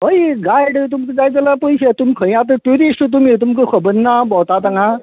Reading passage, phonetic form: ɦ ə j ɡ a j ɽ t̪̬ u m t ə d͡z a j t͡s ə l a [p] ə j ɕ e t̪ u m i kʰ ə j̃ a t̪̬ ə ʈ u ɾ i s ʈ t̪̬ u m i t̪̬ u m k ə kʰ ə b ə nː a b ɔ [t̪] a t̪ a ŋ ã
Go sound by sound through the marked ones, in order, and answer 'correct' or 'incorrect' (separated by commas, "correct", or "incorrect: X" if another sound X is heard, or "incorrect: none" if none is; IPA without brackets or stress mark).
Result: correct, correct